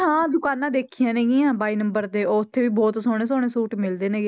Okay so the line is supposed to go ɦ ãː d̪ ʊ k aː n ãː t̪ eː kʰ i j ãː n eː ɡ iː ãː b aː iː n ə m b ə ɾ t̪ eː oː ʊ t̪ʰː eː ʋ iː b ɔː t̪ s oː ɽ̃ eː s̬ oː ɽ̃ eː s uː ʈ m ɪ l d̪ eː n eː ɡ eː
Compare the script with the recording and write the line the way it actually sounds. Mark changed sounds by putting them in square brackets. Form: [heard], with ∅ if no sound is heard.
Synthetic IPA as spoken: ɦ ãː d̪ ʊ k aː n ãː [d̪] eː kʰ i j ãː n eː ɡ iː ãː b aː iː n ə m b ə ɾ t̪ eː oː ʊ t̪ʰː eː ʋ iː b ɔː t̪ s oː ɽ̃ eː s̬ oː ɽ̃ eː s uː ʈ m ɪ l d̪ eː n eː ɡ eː